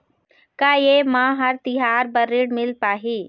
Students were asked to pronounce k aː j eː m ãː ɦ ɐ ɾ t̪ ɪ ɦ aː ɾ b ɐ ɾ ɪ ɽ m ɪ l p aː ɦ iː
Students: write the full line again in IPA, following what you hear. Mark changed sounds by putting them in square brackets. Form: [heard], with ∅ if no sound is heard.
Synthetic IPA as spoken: k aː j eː m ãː ɦ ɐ ɾ t̪ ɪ ɦ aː ɾ b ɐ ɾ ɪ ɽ m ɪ l p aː ɦ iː